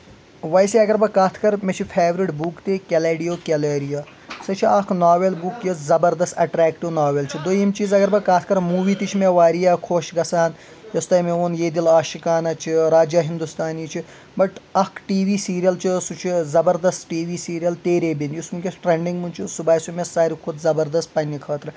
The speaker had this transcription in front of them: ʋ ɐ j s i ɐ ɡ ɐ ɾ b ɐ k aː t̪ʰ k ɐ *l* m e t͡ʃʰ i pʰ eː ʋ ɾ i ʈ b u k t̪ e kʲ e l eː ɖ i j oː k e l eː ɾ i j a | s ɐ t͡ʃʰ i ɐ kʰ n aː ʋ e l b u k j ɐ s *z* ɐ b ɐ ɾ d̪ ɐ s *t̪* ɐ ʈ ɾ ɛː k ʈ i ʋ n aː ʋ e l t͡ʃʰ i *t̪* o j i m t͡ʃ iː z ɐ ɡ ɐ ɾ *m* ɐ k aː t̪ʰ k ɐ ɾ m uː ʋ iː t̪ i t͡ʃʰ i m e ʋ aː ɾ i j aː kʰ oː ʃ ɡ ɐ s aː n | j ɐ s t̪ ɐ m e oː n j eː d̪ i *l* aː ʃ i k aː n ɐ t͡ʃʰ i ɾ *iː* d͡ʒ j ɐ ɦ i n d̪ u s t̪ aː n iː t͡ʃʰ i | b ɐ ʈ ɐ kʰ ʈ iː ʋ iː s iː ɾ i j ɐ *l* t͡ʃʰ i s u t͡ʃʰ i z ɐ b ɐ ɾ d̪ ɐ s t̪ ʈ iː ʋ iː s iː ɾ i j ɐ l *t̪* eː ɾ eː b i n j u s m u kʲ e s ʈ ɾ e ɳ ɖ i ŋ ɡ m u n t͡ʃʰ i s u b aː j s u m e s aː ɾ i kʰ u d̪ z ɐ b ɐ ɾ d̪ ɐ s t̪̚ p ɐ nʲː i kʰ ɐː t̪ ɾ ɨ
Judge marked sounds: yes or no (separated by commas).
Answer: no, yes, yes, no, no, yes, no, yes, yes